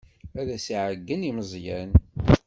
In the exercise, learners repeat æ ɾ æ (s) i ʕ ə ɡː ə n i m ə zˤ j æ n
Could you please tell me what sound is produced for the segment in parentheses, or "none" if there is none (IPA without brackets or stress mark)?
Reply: s